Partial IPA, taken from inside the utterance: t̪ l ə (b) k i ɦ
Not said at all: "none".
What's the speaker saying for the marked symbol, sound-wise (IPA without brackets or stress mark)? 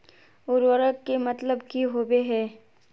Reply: b